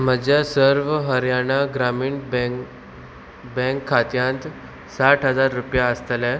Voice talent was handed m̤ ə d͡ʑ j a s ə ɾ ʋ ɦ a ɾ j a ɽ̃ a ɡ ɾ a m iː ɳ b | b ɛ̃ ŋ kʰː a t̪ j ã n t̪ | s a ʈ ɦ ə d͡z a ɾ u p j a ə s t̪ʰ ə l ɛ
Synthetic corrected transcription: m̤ ə d͡ʑ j a s ə ɾ ʋ ɦ ə ɾ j a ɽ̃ a ɡ ɾ a m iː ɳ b | b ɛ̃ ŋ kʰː a t̪ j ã n t̪ | s a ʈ ɦ ə d͡z a ɾː u p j a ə s t̪ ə l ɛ